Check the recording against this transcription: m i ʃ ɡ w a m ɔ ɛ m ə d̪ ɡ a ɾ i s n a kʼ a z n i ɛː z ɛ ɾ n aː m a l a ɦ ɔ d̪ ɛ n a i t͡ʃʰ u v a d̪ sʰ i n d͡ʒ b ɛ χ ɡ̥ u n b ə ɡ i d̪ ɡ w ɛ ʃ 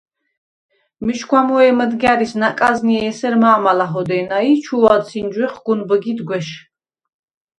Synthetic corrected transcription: m i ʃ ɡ w a m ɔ ɛ m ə d̪ ɡ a ɾ i s n a kʼ a z n i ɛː s ɛ ɾ m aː m a l a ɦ ɔ d̪ ɛ n a i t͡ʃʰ u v a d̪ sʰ i n d͡ʒ w ɛ χ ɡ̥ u n b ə ɡ i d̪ ɡ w ɛ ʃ